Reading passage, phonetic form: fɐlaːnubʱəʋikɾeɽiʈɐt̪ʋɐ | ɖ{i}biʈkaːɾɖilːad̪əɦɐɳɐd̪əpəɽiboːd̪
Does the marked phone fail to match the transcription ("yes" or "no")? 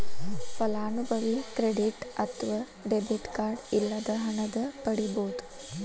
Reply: yes